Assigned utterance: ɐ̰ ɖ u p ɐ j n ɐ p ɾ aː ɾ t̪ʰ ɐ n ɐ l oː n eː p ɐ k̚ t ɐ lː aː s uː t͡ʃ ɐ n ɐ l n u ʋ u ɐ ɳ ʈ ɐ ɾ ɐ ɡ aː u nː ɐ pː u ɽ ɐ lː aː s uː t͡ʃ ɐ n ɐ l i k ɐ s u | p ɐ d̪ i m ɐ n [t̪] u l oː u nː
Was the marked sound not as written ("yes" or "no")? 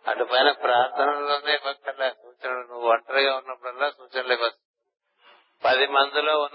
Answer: yes